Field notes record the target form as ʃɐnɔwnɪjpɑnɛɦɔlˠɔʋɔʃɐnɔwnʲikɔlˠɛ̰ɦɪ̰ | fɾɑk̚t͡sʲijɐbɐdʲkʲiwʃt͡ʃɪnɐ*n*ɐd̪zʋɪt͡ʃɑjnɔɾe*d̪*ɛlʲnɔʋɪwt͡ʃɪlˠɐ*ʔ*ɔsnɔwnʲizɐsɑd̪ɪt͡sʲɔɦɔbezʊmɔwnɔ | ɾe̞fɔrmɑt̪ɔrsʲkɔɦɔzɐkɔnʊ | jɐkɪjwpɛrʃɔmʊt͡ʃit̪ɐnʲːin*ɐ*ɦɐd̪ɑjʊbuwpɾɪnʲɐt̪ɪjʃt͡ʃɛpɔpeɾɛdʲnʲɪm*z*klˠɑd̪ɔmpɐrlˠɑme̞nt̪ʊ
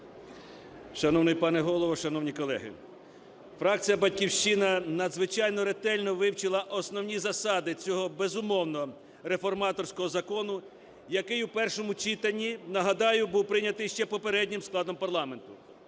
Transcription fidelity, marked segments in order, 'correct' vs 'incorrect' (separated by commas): correct, incorrect, correct, correct, incorrect